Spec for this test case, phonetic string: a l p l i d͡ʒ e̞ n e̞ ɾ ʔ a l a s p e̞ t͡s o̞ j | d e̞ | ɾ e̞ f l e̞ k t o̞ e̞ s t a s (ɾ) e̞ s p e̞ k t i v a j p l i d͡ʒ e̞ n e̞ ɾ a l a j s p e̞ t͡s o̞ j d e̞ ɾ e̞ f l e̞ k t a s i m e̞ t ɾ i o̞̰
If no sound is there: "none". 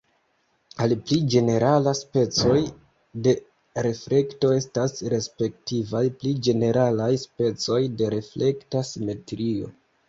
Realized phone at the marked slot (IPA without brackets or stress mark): ɾ